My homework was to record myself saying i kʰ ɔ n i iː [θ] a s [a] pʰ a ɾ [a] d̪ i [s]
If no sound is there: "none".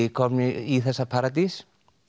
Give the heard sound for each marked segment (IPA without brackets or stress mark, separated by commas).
θ, a, a, s